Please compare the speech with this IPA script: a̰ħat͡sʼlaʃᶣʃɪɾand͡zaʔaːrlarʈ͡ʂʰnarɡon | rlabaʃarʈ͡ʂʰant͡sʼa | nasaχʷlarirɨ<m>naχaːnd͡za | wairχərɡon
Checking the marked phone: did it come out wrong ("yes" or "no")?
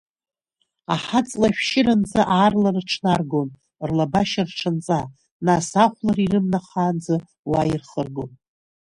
no